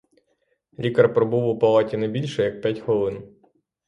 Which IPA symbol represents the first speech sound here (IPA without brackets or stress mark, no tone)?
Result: lʲ